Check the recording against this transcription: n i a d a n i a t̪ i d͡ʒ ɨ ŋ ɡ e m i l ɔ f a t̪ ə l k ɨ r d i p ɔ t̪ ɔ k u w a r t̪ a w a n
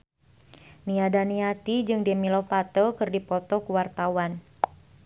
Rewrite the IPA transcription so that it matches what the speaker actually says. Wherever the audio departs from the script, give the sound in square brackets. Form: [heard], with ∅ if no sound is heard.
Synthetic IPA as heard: n i a d a n i a t̪ i d͡ʒ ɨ ŋ [d] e m i l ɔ f a t̪ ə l k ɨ r d i p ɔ t̪ ɔ k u w a r t̪ a w a n